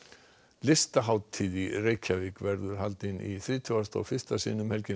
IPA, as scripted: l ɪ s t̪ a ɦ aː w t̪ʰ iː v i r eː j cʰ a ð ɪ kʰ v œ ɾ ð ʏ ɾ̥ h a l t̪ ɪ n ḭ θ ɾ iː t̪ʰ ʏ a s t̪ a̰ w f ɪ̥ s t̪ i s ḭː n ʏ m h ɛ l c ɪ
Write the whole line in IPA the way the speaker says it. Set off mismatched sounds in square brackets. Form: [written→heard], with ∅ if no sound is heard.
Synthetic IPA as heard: l ɪ s t̪ a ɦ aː w t̪ʰ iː [v→ð] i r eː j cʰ a [ð→v] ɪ [kʰ→k] v [œ→ɛ] ɾ ð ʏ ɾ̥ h a l t̪ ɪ n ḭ θ ɾ iː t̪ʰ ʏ a s t̪ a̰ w f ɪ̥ s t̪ [i→a] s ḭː n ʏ m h ɛ l c ɪ